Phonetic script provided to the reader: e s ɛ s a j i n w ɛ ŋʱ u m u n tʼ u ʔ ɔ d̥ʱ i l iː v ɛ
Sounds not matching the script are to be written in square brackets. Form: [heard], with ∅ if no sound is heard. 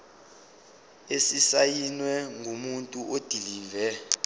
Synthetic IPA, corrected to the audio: e s [i] s a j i n w ɛ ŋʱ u m u n tʼ u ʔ [o] d̥ʱ i l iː v ɛ